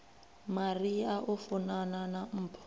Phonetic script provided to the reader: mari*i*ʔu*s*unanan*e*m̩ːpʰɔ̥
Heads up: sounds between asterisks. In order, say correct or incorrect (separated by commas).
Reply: incorrect, incorrect, incorrect